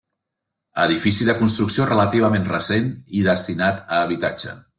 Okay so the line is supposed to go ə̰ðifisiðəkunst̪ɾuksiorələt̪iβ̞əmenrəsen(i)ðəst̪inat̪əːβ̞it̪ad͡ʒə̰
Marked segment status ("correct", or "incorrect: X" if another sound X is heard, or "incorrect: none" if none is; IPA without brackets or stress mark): correct